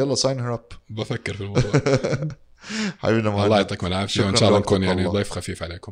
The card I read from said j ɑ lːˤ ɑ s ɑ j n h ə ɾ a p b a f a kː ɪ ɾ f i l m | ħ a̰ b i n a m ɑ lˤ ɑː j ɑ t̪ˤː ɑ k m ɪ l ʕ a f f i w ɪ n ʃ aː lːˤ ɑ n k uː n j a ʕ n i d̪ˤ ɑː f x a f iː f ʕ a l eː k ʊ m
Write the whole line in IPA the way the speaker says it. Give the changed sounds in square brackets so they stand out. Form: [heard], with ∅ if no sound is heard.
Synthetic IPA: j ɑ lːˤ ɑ s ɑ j n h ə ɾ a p b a f a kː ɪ ɾ f i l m | ħ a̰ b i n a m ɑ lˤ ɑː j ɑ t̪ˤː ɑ k m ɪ l ʕ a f [ʃ] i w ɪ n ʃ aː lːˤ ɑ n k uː n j a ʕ n i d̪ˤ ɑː f x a f iː f ʕ a l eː k ʊ m